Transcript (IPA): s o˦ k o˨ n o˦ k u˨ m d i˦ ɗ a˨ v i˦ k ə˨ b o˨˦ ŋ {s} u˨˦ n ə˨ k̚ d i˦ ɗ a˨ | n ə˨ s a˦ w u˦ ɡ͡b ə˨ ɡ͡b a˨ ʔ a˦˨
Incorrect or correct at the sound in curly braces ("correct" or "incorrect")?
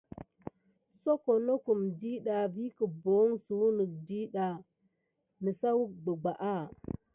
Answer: correct